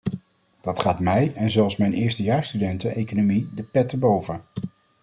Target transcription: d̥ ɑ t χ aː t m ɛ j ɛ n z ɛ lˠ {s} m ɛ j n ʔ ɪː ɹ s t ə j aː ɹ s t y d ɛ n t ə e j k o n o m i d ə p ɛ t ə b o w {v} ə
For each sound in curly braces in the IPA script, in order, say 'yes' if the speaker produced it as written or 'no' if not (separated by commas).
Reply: yes, yes